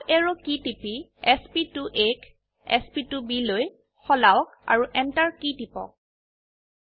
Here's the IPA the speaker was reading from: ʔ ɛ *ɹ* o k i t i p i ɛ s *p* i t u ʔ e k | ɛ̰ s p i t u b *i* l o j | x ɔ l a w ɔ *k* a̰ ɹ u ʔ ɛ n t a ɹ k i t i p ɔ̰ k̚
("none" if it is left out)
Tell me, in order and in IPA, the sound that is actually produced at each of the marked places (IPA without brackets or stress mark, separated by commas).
ɹ, p, i, k